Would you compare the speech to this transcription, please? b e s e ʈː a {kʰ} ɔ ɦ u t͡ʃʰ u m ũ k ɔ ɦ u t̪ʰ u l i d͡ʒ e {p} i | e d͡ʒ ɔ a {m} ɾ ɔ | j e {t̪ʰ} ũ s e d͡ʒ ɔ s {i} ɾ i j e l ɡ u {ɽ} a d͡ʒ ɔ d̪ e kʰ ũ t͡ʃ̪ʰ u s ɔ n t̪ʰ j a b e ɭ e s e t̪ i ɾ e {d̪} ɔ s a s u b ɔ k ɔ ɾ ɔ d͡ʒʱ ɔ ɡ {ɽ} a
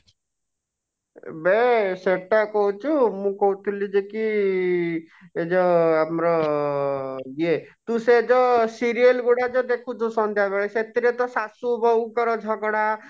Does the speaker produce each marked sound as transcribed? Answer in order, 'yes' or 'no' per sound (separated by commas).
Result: no, no, yes, no, yes, yes, no, yes